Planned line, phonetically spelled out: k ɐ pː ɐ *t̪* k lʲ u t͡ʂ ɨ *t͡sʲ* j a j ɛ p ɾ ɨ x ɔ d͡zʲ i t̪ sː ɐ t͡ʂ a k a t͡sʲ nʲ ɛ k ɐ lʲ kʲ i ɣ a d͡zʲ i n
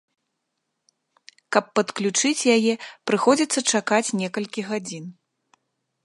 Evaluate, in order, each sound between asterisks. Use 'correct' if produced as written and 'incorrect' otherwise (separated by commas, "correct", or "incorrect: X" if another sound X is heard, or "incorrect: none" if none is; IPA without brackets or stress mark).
correct, correct